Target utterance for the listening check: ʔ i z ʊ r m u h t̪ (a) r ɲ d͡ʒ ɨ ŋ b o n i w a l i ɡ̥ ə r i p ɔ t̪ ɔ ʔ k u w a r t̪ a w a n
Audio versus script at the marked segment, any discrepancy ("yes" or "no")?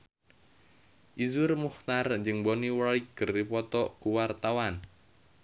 no